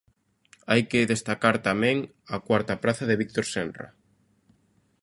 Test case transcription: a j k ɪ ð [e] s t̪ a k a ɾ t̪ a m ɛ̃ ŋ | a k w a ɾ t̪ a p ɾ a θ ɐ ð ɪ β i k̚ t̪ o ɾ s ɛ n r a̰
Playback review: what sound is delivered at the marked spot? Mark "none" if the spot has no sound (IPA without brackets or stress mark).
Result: e